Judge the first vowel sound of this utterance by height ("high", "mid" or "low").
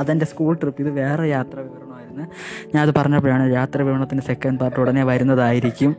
low